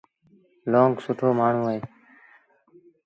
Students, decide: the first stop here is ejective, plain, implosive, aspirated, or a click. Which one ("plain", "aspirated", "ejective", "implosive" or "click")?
plain